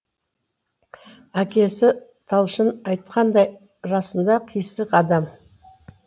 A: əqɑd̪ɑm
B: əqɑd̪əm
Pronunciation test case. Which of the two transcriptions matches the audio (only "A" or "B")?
A